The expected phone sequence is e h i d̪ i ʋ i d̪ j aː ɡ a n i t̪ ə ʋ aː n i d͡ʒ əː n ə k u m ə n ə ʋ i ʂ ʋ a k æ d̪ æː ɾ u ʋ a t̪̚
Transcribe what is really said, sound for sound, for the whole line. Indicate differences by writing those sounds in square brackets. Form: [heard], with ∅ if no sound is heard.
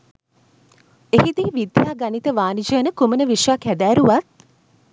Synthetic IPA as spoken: e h i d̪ i ʋ i d̪ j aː ɡ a n i t̪ ə ʋ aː n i d͡ʒ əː n ə k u m ə n ə ʋ i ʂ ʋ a k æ d̪ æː ɾ u ʋ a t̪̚